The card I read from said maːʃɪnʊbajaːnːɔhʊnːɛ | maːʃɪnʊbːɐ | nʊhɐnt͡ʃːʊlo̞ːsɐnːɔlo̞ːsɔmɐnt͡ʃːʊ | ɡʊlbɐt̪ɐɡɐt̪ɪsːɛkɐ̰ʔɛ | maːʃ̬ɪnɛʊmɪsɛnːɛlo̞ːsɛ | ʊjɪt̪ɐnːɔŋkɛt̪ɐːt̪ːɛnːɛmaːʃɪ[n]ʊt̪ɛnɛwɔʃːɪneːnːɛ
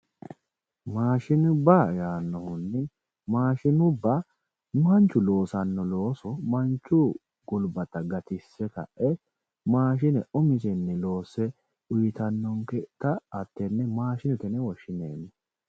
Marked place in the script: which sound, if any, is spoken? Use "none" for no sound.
n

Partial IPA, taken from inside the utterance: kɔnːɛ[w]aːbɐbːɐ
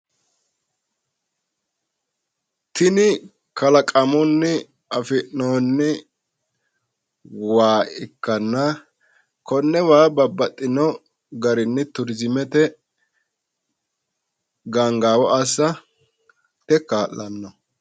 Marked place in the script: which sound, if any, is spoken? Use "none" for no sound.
w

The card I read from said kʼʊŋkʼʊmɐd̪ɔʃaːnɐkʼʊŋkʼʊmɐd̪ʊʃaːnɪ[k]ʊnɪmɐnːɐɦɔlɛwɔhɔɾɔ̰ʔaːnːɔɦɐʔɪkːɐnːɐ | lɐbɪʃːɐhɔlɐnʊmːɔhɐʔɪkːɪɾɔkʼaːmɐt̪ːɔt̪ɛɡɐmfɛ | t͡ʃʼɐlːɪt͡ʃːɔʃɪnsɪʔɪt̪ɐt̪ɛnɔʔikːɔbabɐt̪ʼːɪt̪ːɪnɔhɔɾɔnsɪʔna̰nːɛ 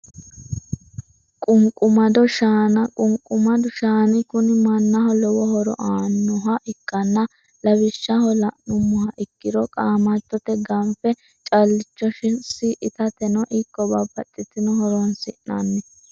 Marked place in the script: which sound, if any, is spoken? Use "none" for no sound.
k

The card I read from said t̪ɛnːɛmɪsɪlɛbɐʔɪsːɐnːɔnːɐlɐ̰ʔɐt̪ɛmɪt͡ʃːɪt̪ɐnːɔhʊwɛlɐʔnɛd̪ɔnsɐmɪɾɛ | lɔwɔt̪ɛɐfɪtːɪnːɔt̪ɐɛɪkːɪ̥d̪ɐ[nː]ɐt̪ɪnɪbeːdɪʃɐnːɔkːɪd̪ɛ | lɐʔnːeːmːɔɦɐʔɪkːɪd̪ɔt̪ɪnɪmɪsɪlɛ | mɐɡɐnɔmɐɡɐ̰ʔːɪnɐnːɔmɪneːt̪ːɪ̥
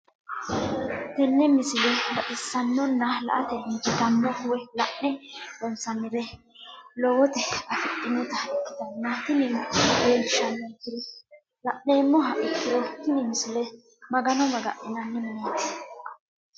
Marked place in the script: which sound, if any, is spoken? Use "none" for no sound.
nː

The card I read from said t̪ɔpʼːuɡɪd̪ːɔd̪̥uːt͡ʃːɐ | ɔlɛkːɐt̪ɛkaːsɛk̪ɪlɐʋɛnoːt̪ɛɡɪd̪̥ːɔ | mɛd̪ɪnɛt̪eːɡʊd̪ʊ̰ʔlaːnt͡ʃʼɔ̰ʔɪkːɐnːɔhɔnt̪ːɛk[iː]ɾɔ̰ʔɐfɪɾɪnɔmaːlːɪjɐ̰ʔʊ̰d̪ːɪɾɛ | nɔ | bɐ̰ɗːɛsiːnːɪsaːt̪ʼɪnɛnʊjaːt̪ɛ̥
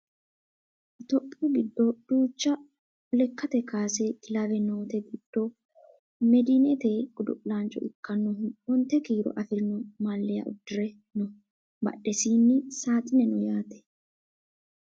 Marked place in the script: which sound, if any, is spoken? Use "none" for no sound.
iː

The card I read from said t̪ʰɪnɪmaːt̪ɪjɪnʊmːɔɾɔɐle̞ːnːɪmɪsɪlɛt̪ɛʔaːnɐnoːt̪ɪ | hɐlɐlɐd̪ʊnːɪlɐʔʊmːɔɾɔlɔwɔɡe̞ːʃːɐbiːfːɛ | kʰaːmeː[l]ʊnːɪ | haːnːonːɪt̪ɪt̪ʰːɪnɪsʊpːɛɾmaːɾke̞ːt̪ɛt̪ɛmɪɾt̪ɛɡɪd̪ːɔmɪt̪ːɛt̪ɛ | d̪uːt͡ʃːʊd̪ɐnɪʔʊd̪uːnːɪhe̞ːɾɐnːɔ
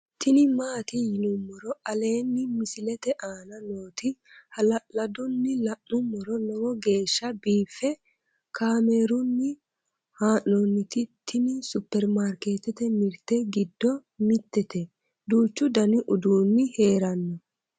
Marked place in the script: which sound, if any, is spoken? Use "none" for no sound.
ɾ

